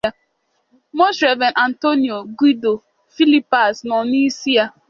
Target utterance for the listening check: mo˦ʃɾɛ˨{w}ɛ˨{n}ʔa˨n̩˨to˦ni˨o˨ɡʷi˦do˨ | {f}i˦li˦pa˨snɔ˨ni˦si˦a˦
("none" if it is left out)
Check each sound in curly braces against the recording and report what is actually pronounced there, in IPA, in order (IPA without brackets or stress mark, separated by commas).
v, n, f